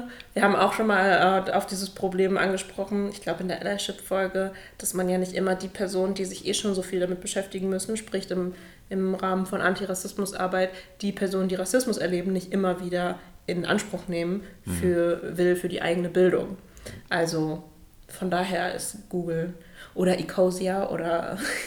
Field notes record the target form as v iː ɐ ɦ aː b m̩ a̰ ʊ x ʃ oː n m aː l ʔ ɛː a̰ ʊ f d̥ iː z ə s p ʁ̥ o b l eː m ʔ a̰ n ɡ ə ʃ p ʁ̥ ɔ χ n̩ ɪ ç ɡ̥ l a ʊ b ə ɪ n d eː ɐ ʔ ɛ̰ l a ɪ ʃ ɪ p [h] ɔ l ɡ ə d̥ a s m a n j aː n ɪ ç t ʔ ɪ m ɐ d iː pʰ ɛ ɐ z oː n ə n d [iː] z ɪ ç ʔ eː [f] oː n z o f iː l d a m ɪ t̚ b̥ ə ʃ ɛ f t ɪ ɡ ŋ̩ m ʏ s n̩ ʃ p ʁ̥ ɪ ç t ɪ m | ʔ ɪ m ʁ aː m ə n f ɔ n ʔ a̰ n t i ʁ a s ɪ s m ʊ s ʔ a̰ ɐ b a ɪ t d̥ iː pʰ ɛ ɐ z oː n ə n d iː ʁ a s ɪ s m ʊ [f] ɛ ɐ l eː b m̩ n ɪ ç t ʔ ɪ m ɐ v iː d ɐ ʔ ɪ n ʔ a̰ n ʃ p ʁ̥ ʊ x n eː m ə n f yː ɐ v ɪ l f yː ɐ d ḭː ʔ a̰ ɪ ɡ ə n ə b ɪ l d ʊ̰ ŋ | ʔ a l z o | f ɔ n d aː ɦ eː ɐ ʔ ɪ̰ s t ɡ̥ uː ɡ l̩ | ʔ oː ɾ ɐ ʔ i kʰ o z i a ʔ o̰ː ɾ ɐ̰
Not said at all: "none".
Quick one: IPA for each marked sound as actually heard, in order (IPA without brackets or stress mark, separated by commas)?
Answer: f, iː, ʃ, s